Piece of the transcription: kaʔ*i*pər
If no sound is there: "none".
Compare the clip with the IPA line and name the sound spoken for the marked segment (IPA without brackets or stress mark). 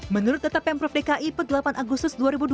i